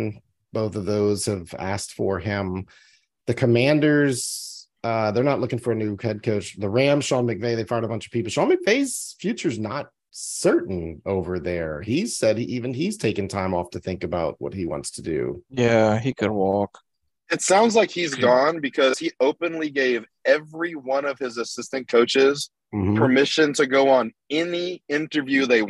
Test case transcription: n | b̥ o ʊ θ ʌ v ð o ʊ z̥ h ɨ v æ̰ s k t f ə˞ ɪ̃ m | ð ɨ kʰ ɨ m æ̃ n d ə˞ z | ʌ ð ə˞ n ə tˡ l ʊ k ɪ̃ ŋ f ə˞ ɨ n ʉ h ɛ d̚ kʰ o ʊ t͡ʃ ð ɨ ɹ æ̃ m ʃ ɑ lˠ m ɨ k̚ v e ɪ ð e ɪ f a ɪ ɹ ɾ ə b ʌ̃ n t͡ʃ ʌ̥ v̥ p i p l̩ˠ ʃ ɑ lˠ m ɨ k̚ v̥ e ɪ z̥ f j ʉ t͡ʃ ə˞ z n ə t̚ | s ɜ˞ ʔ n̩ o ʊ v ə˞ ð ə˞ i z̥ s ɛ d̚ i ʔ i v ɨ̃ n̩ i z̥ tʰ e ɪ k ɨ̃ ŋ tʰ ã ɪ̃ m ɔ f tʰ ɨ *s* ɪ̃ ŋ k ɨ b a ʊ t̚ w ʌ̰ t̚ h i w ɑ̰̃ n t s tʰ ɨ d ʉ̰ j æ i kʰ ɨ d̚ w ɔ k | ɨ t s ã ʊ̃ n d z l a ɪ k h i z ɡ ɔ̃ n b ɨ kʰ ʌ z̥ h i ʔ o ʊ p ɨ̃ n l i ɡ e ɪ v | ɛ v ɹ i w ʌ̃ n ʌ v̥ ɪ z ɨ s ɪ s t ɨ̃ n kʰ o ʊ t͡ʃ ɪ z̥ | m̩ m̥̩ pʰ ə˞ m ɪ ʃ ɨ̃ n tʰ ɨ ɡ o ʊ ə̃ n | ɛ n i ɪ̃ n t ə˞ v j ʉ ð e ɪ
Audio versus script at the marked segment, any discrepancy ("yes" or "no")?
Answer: yes